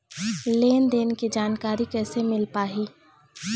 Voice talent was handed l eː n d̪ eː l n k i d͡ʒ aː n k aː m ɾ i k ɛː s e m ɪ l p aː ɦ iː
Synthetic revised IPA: l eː n d̪ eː n k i d͡ʒ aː n k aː ɾ i k ɛː s e m ɪ l p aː ɦ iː